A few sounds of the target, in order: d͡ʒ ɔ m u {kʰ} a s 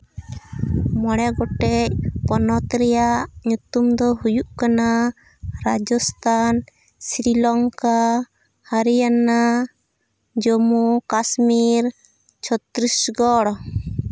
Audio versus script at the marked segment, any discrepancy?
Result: yes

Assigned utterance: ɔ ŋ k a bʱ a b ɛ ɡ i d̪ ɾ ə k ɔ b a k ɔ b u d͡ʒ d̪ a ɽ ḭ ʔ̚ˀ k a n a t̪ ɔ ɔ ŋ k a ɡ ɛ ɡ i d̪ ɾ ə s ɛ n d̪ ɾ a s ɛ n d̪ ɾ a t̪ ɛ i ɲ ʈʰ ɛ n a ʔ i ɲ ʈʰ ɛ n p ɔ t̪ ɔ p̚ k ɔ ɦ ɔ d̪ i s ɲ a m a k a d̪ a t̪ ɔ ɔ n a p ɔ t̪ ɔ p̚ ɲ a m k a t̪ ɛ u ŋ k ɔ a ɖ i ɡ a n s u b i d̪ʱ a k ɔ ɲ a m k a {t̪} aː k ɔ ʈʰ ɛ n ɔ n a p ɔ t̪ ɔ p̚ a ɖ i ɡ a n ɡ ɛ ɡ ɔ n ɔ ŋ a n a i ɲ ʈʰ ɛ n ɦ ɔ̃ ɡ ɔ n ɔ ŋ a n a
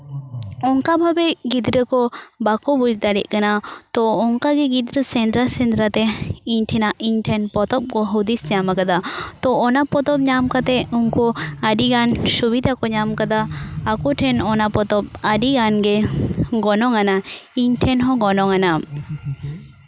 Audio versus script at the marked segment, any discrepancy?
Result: yes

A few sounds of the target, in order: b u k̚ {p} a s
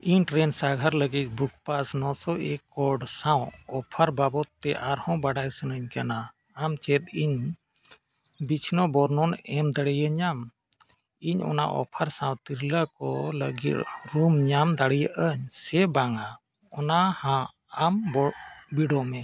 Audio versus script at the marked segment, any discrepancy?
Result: no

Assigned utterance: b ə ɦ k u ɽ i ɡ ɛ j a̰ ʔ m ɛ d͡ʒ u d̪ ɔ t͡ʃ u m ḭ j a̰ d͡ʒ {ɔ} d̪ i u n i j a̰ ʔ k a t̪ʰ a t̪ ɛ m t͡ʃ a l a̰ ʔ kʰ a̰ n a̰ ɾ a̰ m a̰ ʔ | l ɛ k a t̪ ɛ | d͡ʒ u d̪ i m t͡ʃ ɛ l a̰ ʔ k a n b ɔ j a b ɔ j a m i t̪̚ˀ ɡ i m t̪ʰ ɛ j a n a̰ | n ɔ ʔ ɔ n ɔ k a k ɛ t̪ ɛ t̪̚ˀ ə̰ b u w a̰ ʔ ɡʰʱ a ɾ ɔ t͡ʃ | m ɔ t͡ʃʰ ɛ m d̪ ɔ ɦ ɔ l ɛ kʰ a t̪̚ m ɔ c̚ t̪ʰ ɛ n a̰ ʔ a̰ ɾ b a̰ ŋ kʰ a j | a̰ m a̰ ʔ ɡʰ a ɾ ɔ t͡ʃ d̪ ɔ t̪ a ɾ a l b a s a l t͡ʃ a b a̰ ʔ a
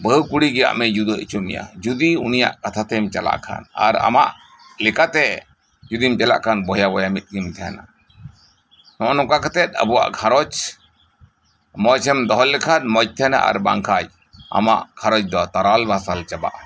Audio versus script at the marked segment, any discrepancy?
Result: yes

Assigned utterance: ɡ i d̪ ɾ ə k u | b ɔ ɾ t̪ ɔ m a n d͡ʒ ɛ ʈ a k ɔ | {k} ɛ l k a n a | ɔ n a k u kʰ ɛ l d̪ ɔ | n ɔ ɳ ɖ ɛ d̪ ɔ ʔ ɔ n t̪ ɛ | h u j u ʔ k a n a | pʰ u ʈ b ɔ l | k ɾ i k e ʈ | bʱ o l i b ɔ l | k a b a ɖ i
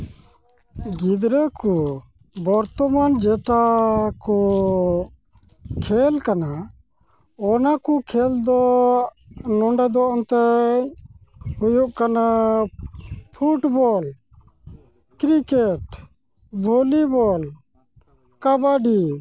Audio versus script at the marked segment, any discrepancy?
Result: yes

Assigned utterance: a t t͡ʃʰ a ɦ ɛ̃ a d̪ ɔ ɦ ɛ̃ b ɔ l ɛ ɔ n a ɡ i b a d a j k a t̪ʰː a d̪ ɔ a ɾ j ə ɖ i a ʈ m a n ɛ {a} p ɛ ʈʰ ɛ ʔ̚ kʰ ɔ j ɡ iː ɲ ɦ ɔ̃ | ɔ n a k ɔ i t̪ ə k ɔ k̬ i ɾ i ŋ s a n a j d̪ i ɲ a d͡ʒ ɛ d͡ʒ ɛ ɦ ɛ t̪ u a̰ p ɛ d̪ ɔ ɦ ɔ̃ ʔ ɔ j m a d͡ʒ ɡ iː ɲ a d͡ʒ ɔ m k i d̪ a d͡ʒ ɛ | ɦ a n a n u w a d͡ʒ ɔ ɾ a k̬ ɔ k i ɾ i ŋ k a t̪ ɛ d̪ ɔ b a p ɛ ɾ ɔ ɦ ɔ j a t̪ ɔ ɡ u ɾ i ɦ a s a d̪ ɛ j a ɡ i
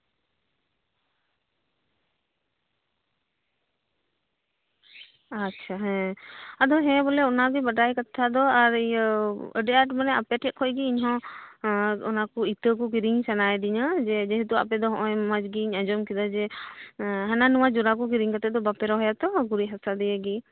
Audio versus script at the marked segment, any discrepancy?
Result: no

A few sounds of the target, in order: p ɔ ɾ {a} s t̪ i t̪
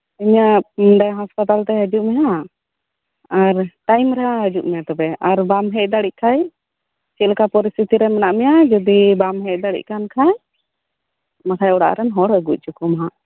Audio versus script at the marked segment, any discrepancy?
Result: yes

